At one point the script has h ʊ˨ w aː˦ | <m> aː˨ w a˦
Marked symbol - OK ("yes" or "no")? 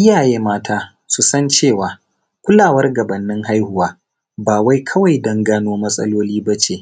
no